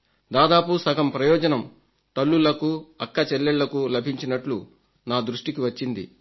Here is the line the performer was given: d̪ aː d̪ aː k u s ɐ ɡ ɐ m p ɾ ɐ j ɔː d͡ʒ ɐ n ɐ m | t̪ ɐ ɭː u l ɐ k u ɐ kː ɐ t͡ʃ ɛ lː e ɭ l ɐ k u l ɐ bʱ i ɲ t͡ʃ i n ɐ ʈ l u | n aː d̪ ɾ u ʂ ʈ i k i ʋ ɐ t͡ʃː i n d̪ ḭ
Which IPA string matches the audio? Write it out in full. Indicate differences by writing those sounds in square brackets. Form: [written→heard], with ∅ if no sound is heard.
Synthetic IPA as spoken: d̪ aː d̪ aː [k→p] u s ɐ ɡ ɐ m p ɾ ɐ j ɔː d͡ʒ ɐ n ɐ m | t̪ ɐ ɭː u l ɐ k u ɐ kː ɐ t͡ʃ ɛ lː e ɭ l ɐ k u l ɐ bʱ i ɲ t͡ʃ i n ɐ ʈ l u | n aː d̪ ɾ u ʂ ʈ i k i ʋ ɐ t͡ʃː i n d̪ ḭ